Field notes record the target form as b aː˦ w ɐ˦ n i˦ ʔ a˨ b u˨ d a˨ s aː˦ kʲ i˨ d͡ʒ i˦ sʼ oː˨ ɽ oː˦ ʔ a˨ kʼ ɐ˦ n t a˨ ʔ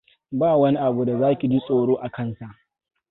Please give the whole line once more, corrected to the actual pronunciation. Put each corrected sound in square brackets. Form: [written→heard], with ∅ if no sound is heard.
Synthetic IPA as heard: b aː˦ w ɐ˦ n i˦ ʔ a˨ b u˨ d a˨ [s→z] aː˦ kʲ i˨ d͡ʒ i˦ sʼ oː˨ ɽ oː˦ ʔ a˨ [kʼ→k] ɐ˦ n [t→s] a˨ ʔ